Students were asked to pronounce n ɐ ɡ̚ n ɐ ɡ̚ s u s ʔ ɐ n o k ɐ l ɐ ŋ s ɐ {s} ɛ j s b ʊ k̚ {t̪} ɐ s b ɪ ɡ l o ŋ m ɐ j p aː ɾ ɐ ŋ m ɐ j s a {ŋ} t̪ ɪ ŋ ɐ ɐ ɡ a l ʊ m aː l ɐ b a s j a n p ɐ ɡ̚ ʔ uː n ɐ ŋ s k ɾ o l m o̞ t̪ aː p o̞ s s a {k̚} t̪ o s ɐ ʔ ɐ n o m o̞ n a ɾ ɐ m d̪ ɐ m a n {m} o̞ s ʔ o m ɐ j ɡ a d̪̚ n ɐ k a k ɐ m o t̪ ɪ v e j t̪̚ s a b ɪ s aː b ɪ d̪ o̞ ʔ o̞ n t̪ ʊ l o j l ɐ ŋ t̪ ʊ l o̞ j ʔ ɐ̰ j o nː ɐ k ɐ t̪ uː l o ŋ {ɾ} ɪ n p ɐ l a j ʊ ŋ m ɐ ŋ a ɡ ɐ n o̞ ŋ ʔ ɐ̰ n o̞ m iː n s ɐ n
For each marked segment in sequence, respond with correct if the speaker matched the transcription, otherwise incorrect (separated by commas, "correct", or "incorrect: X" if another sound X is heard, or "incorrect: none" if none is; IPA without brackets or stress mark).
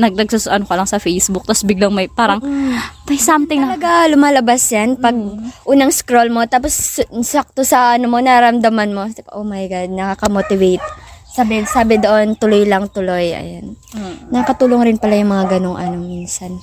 incorrect: f, correct, incorrect: m, correct, correct, correct